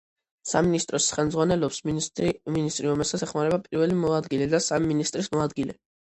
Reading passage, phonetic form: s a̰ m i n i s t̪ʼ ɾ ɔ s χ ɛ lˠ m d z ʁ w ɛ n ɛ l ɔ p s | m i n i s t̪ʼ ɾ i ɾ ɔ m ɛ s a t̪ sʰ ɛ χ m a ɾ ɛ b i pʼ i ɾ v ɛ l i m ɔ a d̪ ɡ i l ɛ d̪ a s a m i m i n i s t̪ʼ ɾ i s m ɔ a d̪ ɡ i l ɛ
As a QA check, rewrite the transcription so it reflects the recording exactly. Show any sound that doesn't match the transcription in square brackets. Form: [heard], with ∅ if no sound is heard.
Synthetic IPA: s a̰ m i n i s t̪ʼ ɾ ɔ s χ ɛ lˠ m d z ʁ w [a] n ɛ l ɔ p s | m i n i s t̪ʼ ɾ i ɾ ɔ m ɛ s a t̪ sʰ ɛ χ m a ɾ ɛ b [a] pʼ i ɾ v ɛ l i m ɔ a d̪ ɡ i l ɛ d̪ a s a m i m i n i s t̪ʼ ɾ i s m ɔ a d̪ ɡ i l ɛ